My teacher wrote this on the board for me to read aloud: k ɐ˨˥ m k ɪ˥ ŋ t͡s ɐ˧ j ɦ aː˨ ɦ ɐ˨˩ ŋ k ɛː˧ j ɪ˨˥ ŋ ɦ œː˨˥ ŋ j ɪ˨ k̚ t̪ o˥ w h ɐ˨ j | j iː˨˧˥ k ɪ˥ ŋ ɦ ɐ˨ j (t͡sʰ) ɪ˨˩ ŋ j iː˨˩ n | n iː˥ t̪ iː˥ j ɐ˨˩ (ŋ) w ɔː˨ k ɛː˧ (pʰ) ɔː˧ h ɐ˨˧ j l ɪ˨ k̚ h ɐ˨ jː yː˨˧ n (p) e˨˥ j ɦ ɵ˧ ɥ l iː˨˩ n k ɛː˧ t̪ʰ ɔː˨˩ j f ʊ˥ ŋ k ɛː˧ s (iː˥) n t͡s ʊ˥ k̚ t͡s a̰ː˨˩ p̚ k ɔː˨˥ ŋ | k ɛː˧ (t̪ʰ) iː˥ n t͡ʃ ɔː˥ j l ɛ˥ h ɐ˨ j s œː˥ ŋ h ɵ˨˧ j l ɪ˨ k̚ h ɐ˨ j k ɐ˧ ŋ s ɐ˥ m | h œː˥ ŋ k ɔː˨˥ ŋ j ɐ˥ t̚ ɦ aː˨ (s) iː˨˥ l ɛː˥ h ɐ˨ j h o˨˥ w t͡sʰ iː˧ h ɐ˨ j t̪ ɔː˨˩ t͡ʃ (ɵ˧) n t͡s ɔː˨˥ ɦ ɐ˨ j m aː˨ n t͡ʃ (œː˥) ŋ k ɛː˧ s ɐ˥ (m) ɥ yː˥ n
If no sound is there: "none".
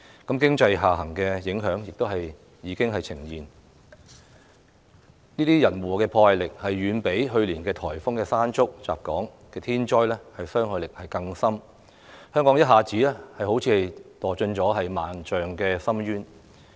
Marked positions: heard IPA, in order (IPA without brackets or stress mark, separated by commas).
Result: t͡sʰ, n, pʰ, p, aː˥, t̪ʰ, t͡s, ɵ˧, œː˨, m